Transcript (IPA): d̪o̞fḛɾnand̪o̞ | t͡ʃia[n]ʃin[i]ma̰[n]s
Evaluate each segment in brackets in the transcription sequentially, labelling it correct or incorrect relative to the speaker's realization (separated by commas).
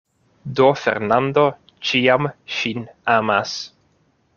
incorrect, incorrect, incorrect